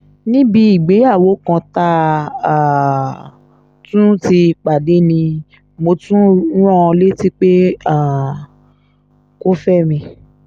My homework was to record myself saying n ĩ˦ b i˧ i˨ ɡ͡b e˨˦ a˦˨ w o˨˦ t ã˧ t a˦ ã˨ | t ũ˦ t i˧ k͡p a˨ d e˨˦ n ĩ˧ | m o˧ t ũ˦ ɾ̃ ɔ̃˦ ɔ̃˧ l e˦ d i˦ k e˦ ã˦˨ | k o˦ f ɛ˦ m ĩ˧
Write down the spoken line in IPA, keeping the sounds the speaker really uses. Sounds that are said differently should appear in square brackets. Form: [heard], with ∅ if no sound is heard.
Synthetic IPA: n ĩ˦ b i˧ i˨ ɡ͡b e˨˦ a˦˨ w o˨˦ [k] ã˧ t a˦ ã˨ | t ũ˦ t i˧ k͡p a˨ d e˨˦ n ĩ˧ | m o˧ t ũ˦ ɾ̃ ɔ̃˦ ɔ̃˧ l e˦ [t] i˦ [k͡p] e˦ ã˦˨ | k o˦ f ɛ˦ m ĩ˧

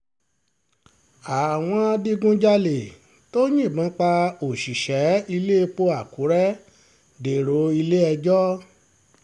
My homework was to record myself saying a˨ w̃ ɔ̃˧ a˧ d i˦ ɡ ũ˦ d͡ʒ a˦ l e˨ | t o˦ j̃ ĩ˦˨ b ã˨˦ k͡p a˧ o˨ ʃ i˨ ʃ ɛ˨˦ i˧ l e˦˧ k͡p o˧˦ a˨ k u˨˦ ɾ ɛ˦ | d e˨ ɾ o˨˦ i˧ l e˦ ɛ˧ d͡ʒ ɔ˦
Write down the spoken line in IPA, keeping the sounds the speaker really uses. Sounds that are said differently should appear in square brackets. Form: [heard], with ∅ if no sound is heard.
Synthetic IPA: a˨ w̃ ɔ̃˧ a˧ d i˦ ɡ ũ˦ d͡ʒ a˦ l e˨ | t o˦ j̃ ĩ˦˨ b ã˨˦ k͡p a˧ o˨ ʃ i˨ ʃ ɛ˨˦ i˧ l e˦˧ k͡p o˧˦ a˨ k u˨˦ ɾ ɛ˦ | d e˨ ɾ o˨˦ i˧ l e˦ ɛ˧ d͡ʒ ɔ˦

